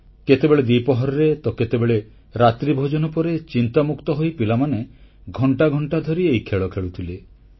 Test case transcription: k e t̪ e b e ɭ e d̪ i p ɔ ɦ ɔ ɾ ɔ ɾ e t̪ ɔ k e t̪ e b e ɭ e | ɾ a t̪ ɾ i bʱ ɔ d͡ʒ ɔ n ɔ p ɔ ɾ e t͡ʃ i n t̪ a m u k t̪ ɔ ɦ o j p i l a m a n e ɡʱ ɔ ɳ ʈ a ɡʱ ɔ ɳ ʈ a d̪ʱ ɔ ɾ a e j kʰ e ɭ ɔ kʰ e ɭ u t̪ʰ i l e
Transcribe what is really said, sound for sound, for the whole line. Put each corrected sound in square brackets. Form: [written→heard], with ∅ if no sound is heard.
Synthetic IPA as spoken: k e t̪ e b e ɭ e d̪ i p ɔ ɦ ɔ ɾ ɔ ɾ e t̪ ɔ k e t̪ e b e ɭ e | ɾ a t̪ ɾ i bʱ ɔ d͡ʒ ɔ n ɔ p ɔ ɾ e t͡ʃ i n t̪ a m u k t̪ ɔ ɦ o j p i l a m a n e ɡʱ ɔ ɳ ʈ a ɡʱ ɔ ɳ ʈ a d̪ʱ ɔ ɾ [a→i] e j kʰ e ɭ ɔ kʰ e ɭ u t̪ʰ i l e